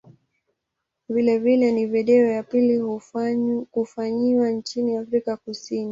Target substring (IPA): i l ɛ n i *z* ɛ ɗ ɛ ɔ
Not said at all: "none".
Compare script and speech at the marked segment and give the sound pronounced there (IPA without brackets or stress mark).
v